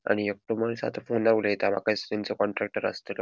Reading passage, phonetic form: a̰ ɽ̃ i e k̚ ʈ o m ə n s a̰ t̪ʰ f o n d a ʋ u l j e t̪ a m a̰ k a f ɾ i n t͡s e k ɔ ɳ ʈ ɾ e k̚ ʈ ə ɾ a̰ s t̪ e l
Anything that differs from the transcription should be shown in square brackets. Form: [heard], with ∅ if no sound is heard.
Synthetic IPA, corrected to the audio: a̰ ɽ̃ i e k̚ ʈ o m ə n s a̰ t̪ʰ f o n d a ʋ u l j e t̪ a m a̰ k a [s] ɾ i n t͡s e k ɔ ɳ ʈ ɾ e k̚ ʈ ə ɾ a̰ s t̪ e l